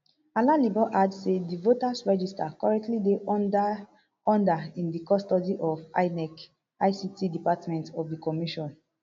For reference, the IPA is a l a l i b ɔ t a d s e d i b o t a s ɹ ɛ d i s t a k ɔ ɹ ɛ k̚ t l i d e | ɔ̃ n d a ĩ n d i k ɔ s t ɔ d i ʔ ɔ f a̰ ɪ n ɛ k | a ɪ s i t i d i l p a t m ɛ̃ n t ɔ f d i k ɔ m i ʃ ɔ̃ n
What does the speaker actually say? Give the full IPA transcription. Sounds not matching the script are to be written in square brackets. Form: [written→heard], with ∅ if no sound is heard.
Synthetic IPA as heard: a l a l i b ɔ [t→ʔ] a d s e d i [b→v] o t a s ɹ ɛ [d→d͡ʒ] i s t a k ɔ ɹ ɛ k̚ t l i d e | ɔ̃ n d a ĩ n d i k ɔ s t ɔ d i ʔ ɔ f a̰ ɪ n ɛ k | a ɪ s i t i d i [l→∅] p a t m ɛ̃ n t ɔ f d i k ɔ m i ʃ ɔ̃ n